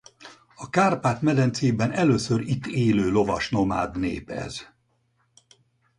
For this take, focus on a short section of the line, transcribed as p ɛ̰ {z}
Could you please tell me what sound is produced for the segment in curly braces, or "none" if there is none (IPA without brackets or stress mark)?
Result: z